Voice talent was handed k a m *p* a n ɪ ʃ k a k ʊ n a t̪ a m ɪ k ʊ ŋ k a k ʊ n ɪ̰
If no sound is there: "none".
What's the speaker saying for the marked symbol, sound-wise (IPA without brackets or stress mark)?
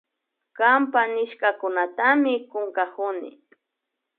p